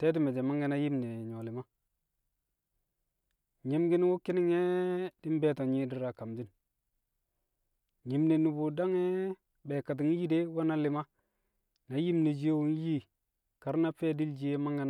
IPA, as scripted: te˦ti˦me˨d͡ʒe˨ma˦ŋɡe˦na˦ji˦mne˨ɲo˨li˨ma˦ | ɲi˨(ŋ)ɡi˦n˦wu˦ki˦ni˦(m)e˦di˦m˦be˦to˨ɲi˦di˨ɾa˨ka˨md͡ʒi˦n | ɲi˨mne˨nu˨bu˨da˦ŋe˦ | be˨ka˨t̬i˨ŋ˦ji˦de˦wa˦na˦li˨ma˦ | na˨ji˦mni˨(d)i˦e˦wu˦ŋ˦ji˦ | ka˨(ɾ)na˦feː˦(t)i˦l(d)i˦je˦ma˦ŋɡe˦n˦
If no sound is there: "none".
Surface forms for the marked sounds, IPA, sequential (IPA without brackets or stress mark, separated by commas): m, ŋ, d͡ʒ, ɾ, d, d͡ʒ